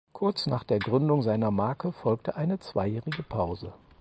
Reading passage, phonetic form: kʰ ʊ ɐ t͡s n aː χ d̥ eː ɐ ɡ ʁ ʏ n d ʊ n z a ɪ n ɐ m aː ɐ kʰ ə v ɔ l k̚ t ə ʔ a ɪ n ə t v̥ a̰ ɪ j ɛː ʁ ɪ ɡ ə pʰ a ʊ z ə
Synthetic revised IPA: kʰ ʊ ɐ t͡s n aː χ d̥ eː ɐ ɡ ʁ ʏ n d ʊ ŋ z a ɪ n ɐ m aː ɐ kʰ ə f ɔ l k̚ t ə ʔ a ɪ n ə t͡s v̥ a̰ ɪ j ɛː ʁ ɪ ɡ ə pʰ a ʊ z ə